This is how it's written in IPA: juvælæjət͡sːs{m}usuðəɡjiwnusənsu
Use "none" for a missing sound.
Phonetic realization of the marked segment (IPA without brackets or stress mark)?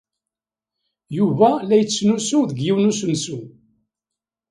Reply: n